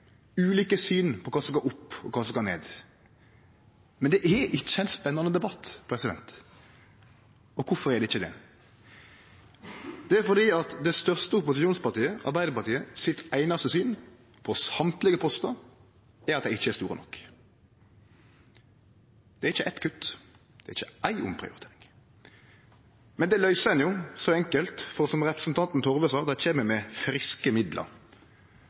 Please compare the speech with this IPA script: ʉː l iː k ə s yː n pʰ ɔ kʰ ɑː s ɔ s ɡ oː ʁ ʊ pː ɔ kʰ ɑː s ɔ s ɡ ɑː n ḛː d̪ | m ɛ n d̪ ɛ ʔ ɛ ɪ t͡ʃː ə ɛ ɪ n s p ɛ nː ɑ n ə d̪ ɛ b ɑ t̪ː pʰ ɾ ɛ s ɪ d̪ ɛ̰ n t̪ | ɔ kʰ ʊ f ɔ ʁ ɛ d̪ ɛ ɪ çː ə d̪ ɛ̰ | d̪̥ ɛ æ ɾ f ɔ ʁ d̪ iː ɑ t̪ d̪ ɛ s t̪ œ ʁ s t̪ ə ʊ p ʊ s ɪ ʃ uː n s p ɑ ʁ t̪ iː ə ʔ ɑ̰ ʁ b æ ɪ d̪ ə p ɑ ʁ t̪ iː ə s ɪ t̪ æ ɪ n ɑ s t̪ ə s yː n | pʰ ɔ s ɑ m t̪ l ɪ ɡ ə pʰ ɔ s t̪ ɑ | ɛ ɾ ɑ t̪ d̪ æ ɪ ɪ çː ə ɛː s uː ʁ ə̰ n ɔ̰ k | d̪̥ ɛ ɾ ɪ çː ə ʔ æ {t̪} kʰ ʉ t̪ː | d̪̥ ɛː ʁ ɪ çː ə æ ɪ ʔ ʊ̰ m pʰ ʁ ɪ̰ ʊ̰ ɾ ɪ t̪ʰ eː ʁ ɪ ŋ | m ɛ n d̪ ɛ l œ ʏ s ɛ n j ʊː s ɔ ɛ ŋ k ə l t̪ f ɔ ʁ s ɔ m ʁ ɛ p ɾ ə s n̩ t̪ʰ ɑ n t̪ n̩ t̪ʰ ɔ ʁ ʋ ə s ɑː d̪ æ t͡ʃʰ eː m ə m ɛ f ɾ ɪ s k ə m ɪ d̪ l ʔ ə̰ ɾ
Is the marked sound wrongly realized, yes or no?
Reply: no